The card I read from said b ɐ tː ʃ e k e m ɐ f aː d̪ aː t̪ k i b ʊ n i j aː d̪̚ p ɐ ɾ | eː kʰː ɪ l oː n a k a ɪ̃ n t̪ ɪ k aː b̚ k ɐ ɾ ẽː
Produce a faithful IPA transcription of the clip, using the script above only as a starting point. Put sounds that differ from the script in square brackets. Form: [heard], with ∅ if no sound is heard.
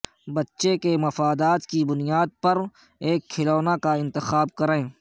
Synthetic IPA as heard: b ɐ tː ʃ e k e m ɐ f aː d̪ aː t̪ k i b ʊ n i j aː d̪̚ p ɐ ɾ | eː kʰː ɪ l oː n a k a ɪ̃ n t̪ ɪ [x] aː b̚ k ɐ ɾ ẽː